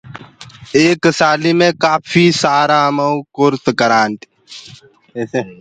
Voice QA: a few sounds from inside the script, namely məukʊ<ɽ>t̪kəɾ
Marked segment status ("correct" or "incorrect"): incorrect